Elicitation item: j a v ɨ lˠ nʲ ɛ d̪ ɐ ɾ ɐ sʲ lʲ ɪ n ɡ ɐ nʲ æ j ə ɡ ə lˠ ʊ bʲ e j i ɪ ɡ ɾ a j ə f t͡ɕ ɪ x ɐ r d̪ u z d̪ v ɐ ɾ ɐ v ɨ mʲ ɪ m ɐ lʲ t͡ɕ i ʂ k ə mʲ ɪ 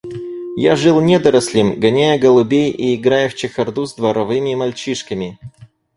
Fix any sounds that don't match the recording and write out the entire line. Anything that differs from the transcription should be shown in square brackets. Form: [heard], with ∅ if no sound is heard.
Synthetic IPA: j a [ʐ] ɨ lˠ nʲ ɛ d̪ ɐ ɾ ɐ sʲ lʲ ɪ [m] ɡ ɐ nʲ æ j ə ɡ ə lˠ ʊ bʲ e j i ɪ ɡ ɾ a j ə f t͡ɕ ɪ x ɐ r d̪ u z d̪ v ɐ ɾ ɐ v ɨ mʲ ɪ m ɐ lʲ t͡ɕ i ʂ k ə mʲ ɪ

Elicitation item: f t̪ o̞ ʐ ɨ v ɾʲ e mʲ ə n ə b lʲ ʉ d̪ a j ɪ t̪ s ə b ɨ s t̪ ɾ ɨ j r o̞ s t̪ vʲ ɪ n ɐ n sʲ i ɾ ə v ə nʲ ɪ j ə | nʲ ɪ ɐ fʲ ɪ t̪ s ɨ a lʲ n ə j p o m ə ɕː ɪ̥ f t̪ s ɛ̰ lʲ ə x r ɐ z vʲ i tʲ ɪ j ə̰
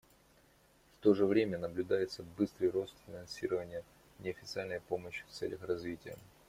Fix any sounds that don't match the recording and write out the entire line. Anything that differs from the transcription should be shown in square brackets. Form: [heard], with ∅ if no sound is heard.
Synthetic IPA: f t̪ o̞ ʐ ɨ v ɾʲ e mʲ ə n ə b lʲ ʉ d̪ a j ɪ t̪ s ə b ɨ s t̪ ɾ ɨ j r o̞ s t̪ [fʲ] ɪ n ɐ n sʲ i ɾ ə v ə nʲ ɪ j ə | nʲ ɪ ɐ fʲ ɪ t̪ s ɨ a lʲ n ə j p o m ə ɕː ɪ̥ f t̪ s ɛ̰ lʲ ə x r ɐ z vʲ i tʲ ɪ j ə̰

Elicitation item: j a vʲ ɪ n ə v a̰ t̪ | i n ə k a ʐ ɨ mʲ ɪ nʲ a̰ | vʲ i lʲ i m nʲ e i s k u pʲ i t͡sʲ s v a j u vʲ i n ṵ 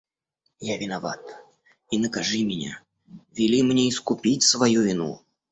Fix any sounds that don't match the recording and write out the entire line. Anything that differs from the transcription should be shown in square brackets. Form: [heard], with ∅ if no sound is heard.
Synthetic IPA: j a vʲ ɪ n [a] v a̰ t̪ | i n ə k a ʐ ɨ mʲ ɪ nʲ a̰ | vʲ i lʲ i m nʲ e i s k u pʲ i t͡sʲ s v a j u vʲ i n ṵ

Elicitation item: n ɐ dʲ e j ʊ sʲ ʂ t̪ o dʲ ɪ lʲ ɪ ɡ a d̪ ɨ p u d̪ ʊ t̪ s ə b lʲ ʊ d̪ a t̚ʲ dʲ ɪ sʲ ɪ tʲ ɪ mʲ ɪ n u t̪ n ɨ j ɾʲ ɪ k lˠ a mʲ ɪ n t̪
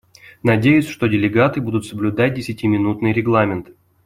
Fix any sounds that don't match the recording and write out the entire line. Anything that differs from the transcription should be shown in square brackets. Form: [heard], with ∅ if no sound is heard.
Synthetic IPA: n ɐ dʲ e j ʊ sʲ ʂ t̪ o dʲ ɪ lʲ ɪ ɡ a [t̪] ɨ [b] u d̪ ʊ t̪ s ə b lʲ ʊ d̪ a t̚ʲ dʲ ɪ sʲ ɪ tʲ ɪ mʲ ɪ n u t̪ n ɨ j ɾʲ ɪ [ɡ] lˠ a mʲ ɪ n t̪

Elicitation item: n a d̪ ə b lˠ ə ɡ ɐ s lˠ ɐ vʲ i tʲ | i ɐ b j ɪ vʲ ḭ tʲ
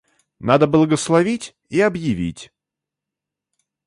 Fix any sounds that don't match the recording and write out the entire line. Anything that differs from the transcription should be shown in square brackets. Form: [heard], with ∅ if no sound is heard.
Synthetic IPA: n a d̪ ə b lˠ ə ɡ [ə] s lˠ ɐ vʲ i tʲ | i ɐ b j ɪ vʲ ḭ tʲ

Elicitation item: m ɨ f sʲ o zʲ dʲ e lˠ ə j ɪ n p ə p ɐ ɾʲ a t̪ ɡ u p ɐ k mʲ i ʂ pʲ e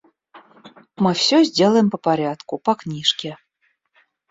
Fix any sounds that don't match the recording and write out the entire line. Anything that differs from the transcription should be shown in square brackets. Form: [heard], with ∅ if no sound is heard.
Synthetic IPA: m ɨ f sʲ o zʲ dʲ e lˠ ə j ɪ [m] p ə p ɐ ɾʲ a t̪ [k] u p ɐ k [nʲ] i ʂ [kʲ] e

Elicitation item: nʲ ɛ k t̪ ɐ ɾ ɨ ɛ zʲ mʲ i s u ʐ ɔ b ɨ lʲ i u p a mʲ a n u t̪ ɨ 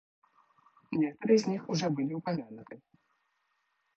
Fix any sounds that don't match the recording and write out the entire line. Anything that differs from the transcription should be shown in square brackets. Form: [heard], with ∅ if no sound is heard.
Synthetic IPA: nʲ ɛ k t̪ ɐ ɾ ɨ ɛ zʲ [nʲ] i [x] u ʐ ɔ b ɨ lʲ i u p a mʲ a n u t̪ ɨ

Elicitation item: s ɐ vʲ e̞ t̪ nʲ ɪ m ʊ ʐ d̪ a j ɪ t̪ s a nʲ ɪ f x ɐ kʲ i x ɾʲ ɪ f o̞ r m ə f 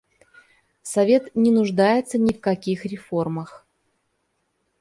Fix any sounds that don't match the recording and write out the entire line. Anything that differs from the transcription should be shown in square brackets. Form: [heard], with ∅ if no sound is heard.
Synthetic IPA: s ɐ vʲ e̞ t̪ nʲ ɪ [n] ʊ ʐ d̪ a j ɪ t̪ s [ə] nʲ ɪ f [k] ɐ kʲ i x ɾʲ ɪ f o̞ r m ə [x]

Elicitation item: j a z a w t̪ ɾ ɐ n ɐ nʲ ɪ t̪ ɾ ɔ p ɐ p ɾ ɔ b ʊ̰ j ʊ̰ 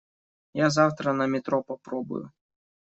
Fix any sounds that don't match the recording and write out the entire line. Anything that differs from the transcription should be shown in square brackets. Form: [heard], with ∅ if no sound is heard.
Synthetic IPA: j a z a w t̪ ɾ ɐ n ɐ [mʲ] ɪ t̪ ɾ ɔ p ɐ p ɾ ɔ b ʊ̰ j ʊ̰

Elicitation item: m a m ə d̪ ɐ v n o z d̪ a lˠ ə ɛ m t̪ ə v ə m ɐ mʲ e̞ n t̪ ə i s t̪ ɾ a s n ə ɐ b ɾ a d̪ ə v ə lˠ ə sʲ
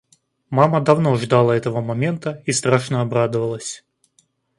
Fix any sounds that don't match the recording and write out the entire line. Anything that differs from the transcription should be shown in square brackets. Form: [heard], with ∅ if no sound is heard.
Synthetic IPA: m a m ə d̪ ɐ v n o [ʐ] d̪ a lˠ ə ɛ [∅] t̪ ə v ə m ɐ mʲ e̞ n t̪ ə i s t̪ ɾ a [ʂ] n ə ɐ b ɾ a d̪ ə v ə lˠ ə sʲ

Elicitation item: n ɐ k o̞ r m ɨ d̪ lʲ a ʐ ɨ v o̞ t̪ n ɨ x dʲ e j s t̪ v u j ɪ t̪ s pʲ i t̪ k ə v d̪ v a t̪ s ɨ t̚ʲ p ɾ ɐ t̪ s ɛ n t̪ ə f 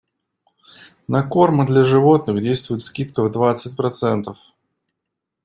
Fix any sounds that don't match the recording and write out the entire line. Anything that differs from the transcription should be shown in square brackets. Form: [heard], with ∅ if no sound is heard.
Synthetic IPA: n ɐ k o̞ r m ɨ d̪ lʲ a ʐ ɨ v o̞ t̪ n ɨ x dʲ e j s t̪ v [ʊ] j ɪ t̪ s [kʲ] i t̪ k ə v d̪ v a t̪ s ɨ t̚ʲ p ɾ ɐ t̪ s ɛ n t̪ ə f

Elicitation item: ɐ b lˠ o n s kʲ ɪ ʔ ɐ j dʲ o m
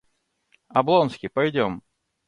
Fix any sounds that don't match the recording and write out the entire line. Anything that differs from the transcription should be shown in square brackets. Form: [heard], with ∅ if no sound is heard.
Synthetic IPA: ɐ b lˠ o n s kʲ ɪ [p] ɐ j dʲ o m

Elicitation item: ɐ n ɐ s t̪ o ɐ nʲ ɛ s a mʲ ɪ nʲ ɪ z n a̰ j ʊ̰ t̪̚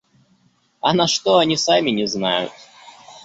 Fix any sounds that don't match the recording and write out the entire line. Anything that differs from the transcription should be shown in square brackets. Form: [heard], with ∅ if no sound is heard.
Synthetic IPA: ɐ n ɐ [ʂ] t̪ o ɐ nʲ [i] s a mʲ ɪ nʲ ɪ z n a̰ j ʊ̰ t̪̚

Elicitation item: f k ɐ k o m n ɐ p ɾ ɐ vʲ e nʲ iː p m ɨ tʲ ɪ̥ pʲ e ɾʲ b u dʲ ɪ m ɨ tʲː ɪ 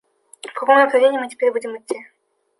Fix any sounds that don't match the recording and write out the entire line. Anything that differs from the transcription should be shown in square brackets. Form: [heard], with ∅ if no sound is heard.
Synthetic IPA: f k ɐ k o m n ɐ p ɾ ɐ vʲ e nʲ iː [∅] m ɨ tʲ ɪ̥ pʲ e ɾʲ b u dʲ ɪ m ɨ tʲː [i]

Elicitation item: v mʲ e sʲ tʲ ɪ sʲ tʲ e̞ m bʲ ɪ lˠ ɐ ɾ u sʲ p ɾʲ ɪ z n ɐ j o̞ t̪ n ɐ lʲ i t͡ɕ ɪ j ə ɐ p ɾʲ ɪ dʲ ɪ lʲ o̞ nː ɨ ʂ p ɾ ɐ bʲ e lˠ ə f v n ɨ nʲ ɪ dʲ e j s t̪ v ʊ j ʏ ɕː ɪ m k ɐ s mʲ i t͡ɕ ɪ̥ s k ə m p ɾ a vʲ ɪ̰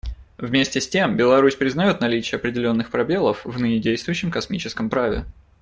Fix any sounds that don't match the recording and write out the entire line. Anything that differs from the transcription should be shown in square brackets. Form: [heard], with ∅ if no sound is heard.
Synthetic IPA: v mʲ e sʲ tʲ ɪ sʲ tʲ e̞ m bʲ ɪ lˠ ɐ ɾ u sʲ p ɾʲ ɪ z n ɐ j o̞ t̪ n ɐ lʲ i t͡ɕ ɪ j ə ɐ p ɾʲ ɪ dʲ ɪ lʲ o̞ nː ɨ [x] p ɾ ɐ bʲ e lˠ ə f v n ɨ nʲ ɪ dʲ e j s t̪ v ʊ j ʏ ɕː ɪ m k ɐ s mʲ i t͡ɕ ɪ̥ s k ə m p ɾ a vʲ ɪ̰

